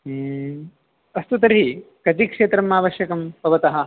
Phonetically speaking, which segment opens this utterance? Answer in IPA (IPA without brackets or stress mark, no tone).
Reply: ɐ